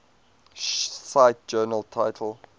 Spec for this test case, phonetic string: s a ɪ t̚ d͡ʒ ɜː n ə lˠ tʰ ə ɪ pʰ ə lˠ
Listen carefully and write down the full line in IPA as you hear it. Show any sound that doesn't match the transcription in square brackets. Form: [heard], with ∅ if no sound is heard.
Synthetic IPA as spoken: s a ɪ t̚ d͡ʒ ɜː n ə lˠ tʰ [a] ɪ [tʰ] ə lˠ